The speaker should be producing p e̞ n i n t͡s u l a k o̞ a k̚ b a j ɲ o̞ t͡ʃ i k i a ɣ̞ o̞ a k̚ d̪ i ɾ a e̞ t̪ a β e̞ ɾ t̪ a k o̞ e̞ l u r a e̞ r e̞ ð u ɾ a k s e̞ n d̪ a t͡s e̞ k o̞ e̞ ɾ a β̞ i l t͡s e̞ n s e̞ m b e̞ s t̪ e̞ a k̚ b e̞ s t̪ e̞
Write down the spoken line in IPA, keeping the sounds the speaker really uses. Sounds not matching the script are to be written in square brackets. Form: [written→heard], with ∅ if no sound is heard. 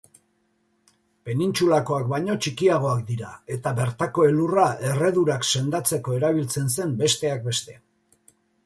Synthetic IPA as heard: p e̞ n i n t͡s u l a k o̞ a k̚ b a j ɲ o̞ t͡ʃ i k i a ɣ̞ o̞ a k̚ d̪ i ɾ a e̞ t̪ a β e̞ ɾ t̪ a k o̞ e̞ l u r a e̞ r e̞ ð u ɾ a k s e̞ n d̪ a t͡s e̞ k o̞ e̞ ɾ a β̞ i l t͡s e̞ n s e̞ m b e̞ s t̪ e̞ a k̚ b e̞ s t̪ e̞